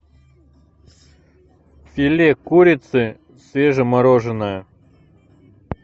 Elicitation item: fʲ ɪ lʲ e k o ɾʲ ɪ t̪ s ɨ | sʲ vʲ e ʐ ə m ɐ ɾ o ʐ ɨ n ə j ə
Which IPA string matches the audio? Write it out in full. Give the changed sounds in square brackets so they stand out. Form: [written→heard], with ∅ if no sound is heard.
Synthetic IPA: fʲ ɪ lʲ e k [o→u] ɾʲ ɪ t̪ s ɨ | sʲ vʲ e ʐ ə m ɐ ɾ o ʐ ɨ n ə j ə